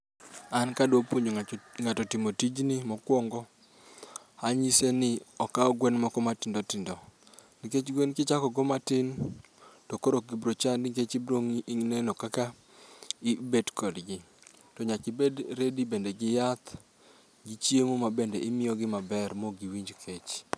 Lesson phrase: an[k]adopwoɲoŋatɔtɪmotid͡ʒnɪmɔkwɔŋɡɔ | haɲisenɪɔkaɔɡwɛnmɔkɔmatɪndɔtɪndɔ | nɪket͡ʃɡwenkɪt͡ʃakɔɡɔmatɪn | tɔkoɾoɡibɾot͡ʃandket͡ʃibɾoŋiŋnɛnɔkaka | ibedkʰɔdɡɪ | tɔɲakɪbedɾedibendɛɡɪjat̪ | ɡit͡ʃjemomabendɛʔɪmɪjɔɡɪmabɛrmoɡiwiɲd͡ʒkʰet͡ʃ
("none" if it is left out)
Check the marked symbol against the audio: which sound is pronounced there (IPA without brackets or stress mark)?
k